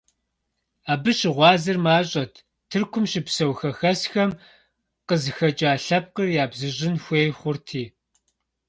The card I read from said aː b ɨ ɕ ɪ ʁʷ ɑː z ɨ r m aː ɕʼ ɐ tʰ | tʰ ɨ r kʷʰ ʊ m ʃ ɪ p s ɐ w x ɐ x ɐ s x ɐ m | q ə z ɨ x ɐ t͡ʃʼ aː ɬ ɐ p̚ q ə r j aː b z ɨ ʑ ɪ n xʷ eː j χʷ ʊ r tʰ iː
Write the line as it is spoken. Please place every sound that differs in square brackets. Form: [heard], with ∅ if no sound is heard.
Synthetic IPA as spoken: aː b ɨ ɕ ɪ ʁʷ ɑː z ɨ r m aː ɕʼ ɐ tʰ | tʰ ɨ r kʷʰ ʊ m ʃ ɪ p s ɐ w x ɐ x ɐ s x ɐ m | q ə z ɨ x ɐ t͡ʃʼ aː ɬ ɐ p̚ q ə r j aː b z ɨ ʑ ɪ n xʷ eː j χʷ ʊ r tʰ iː